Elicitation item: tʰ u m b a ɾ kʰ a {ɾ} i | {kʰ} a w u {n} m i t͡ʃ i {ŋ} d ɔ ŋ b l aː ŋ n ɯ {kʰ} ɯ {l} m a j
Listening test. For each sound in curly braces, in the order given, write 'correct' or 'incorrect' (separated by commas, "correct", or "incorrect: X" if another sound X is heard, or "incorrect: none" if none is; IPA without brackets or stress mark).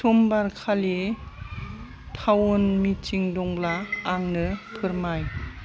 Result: incorrect: l, incorrect: tʰ, correct, correct, incorrect: pʰ, incorrect: ɾ